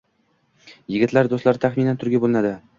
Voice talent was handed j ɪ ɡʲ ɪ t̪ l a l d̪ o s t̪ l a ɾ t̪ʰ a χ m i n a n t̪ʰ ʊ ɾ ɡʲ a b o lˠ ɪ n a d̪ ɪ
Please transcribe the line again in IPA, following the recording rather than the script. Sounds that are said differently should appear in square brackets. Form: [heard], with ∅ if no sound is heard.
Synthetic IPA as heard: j ɪ ɡʲ ɪ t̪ l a [ɾ] d̪ o s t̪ l a ɾ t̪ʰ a χ m i n a n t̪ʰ ʊ ɾ ɡʲ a b o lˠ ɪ n a d̪ ɪ